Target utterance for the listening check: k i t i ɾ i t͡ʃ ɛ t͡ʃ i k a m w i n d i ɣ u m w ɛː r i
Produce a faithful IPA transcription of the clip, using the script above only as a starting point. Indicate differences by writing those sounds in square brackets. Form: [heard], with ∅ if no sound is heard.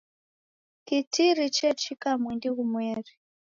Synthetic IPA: k i t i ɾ i t͡ʃ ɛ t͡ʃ i k a m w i n d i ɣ u m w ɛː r i